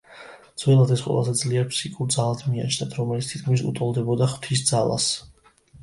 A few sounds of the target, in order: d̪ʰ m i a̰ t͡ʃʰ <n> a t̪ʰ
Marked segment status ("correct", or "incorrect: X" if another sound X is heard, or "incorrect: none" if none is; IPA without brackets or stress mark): correct